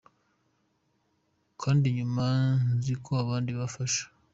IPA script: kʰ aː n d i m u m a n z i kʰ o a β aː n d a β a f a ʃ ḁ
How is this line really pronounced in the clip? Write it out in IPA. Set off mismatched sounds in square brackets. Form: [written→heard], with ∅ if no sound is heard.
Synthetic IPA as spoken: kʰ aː n d i [m→ɲ] u m a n z i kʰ o a β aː n d [a→i] β a f a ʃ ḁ